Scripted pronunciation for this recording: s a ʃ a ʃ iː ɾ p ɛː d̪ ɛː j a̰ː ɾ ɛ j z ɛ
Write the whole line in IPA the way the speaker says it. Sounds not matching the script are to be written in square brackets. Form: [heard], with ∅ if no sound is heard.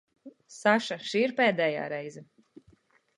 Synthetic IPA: s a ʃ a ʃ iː ɾ p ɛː d̪ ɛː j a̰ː ɾ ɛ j z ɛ

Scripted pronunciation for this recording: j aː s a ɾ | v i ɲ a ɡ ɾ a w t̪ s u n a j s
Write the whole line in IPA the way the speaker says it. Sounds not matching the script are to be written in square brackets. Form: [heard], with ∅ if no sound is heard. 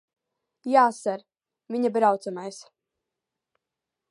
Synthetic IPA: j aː s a ɾ | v i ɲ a [b] ɾ a w t̪ s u [m] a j s

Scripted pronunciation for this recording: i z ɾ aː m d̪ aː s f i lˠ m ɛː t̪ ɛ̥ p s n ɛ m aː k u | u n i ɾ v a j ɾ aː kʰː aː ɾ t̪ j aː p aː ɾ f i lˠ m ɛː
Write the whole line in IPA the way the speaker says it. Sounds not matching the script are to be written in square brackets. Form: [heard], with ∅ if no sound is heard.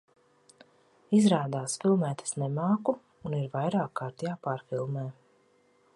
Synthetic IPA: i z ɾ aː [∅] d̪ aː s f i lˠ m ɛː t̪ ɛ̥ [∅] s n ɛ m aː k u | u n i ɾ v a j ɾ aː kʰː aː ɾ t̪ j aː p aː ɾ f i lˠ m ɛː

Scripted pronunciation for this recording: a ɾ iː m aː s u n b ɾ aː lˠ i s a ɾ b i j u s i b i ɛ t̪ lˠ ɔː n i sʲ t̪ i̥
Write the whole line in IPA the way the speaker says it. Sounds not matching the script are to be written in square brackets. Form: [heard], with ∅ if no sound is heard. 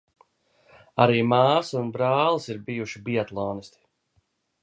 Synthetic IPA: a ɾ iː m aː s u n b ɾ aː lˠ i s [i] ɾ b i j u [ʃ] i b i ɛ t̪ lˠ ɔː n i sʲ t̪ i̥

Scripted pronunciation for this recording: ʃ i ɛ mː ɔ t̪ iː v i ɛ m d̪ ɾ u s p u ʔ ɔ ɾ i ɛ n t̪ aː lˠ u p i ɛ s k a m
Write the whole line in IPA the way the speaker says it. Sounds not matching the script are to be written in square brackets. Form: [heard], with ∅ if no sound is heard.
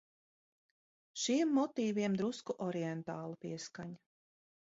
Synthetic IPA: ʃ i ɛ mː ɔ t̪ iː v i ɛ m d̪ ɾ u s [k] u ʔ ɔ ɾ i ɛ n t̪ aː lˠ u p i ɛ s k a [ɲ]

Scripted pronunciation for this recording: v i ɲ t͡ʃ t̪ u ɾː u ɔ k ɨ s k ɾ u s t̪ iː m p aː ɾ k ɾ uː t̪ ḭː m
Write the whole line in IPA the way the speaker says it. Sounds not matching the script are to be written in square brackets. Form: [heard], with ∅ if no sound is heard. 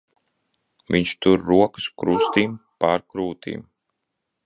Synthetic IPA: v i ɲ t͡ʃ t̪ u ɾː u ɔ k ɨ s k ɾ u s t̪ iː m p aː ɾ k ɾ uː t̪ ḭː m

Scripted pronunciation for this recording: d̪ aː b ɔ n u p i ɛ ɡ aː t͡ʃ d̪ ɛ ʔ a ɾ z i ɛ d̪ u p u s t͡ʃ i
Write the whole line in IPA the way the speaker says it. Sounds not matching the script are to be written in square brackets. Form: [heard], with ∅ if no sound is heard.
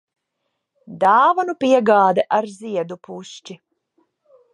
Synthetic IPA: d̪ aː [v] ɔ n u p i ɛ ɡ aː [∅] d̪ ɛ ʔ a ɾ z i ɛ d̪ u p u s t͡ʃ i

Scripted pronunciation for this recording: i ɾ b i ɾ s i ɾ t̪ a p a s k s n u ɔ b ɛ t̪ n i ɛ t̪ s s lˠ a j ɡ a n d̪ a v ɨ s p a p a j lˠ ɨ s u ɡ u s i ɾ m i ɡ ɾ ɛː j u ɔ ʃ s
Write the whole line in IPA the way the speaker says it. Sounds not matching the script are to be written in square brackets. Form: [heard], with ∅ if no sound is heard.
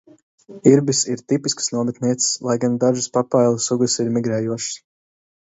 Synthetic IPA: i ɾ b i [∅] s i ɾ t̪ [i] p [i] s k s n u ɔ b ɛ t̪ n i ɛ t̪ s s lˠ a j ɡ a n d̪ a [ʒ] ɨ s p a p a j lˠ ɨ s u ɡ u s i ɾ m i ɡ ɾ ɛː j u ɔ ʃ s

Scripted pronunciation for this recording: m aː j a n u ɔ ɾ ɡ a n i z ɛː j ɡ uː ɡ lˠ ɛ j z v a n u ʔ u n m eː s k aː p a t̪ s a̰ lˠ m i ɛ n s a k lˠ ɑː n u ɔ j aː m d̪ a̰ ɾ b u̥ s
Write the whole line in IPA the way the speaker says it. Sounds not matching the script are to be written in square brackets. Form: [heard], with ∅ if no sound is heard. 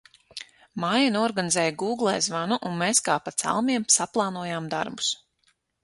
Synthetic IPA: m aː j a n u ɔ ɾ ɡ a n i z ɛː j ɡ uː ɡ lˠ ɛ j z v a n u ʔ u n m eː s k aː p a t̪ s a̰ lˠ m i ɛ [m] s a [p] lˠ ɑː n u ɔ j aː m d̪ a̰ ɾ b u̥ s

